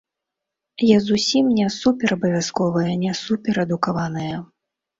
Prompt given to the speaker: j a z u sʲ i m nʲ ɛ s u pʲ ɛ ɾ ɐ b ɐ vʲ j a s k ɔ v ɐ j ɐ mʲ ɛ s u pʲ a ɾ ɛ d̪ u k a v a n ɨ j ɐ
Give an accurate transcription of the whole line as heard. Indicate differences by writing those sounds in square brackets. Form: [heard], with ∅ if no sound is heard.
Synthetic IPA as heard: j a z u sʲ i m nʲ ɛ s u pʲ ɛ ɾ ɐ b ɐ vʲ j a s k ɔ v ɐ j ɐ [nʲ] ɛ s u pʲ [ɛ] ɾ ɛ d̪ u k a v a n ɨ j ɐ